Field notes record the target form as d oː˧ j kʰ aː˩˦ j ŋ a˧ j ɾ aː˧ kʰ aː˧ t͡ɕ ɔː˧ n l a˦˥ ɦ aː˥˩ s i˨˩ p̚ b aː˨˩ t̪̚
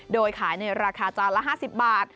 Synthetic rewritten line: d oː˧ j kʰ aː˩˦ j n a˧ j ɾ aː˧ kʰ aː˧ t͡ɕ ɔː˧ n l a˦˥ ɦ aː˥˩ s i˨˩ p̚ b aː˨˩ t̪̚

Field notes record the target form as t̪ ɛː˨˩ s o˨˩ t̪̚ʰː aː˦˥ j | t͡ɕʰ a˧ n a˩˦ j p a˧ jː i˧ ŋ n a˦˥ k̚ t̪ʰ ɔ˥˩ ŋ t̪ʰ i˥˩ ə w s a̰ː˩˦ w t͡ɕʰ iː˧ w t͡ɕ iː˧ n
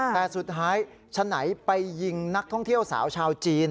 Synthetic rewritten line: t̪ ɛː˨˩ s u˨˩ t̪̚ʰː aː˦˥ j | t͡ɕʰ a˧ n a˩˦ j p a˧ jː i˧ ŋ n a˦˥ k̚ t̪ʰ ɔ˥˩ ŋ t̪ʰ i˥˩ ə w s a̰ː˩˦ w t͡ɕʰ aː˧ w t͡ɕ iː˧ n

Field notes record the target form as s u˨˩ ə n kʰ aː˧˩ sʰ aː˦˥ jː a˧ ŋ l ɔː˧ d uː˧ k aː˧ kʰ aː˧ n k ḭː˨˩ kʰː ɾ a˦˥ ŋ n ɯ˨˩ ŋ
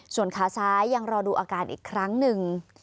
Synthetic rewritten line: s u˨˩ ə n kʰ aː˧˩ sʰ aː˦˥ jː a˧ ŋ ɾ ɔː˧ d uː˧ ʔ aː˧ k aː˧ n ʔ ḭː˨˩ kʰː ɾ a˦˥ ŋ n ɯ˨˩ ŋ

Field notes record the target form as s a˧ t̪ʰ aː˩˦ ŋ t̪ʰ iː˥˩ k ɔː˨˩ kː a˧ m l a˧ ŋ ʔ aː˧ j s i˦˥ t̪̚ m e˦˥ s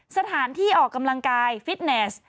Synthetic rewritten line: s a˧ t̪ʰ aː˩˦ n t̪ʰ iː˥˩ ʔ ɔː˨˩ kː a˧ m l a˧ ŋ k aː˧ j f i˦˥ t̪̚ n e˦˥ s

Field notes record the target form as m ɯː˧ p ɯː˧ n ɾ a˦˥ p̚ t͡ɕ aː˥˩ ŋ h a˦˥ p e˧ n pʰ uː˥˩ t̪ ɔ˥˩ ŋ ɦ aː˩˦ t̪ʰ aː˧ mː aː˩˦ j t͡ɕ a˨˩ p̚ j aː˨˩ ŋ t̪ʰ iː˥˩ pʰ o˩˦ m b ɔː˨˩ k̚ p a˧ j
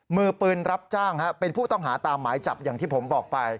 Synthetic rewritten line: m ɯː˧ p ɯː˧ n ɾ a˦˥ p̚ t͡ɕ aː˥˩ ŋ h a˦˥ p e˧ n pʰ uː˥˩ t̪ ɔ˥˩ ŋ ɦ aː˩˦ t̪ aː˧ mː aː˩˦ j t͡ɕ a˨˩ p̚ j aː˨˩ ŋ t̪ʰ iː˥˩ pʰ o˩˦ m b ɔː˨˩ k̚ p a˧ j

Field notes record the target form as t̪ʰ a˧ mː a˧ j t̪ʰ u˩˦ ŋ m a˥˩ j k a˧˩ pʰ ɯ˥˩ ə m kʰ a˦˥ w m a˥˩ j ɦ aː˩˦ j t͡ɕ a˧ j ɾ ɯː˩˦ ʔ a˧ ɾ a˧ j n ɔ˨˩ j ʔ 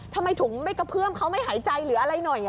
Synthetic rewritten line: t̪ʰ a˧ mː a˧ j t̪ʰ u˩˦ ŋ m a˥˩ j k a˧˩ pʰ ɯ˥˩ ə m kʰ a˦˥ w m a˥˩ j ɦ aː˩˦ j t͡ɕ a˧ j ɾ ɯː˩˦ ʔ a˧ ɾ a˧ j n ɔ˨˩ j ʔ

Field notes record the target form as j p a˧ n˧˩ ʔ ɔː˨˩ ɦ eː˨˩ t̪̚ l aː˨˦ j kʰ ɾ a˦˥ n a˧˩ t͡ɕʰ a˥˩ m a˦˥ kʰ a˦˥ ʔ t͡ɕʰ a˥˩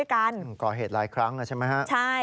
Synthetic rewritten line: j k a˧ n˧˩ k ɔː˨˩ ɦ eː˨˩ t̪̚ l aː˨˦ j kʰ ɾ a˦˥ ŋ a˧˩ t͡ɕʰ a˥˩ m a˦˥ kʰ a˦˥ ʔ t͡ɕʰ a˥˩

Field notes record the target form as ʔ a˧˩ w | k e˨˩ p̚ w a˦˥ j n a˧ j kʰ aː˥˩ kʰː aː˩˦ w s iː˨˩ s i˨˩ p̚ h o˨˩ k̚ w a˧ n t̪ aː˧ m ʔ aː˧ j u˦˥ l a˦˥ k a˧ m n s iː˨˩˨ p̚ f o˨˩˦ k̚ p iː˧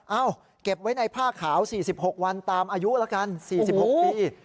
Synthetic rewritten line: ʔ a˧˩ w | k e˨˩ p̚ w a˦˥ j n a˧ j pʰ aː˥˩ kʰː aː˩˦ w s iː˨˩ s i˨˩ p̚ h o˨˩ k̚ w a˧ n t̪ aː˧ m ʔ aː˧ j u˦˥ l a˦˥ k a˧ n s iː˨˩˨ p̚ h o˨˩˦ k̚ p iː˧

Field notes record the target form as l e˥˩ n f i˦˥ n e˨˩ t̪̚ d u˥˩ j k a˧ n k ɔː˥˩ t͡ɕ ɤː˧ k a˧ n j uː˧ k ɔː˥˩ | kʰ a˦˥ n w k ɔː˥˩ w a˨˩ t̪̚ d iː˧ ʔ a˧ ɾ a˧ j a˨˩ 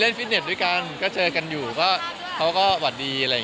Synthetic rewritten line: l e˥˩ n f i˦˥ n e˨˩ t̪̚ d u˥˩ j k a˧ n k ɔː˥˩ t͡ɕ ɤː˧ k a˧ n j uː˨˩ k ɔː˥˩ | kʰ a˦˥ w k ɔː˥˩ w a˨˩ t̪̚ d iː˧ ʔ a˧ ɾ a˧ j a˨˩

